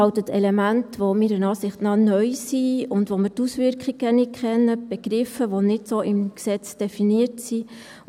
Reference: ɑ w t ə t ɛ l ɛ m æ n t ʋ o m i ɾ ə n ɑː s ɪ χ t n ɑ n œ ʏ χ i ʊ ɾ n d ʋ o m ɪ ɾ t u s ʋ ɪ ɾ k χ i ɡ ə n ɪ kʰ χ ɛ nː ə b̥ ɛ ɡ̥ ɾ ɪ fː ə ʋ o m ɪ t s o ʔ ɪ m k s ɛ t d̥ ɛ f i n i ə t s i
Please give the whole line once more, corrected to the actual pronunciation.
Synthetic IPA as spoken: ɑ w t ə t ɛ l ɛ m æ n t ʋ o m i ɾ ə n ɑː s ɪ χ t n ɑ n œ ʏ s i ʊ n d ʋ o m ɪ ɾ t u s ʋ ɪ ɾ k χ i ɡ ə n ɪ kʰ χ ɛ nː ə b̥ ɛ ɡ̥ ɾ ɪ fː ə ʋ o n ɪ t s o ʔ ɪ m k s ɛ t͡s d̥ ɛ f i n i ə t s i